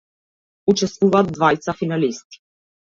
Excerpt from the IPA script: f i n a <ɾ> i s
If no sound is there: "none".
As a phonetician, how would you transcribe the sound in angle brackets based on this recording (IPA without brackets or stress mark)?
l